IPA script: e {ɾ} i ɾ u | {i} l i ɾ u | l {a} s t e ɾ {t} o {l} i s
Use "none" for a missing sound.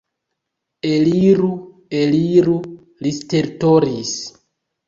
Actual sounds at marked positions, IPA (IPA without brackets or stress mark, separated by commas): l, e, i, t, ɾ